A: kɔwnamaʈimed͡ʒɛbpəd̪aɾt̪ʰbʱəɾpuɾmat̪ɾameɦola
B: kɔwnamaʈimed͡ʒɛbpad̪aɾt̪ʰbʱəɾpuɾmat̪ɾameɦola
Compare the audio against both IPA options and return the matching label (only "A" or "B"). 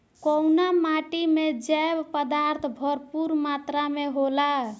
A